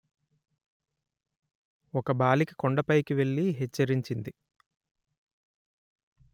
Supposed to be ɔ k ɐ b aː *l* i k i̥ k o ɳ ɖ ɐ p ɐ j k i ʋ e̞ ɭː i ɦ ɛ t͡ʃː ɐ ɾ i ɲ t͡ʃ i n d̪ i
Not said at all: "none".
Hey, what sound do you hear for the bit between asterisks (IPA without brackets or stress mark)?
l